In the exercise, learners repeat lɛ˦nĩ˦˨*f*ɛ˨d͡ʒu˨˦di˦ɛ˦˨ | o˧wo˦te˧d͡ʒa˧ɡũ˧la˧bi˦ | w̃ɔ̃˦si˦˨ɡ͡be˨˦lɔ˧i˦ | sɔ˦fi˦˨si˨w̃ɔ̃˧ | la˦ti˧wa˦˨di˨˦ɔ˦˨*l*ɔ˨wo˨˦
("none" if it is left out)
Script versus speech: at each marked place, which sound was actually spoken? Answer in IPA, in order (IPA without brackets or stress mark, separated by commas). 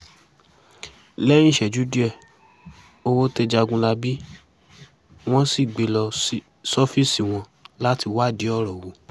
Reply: ʃ, ɾ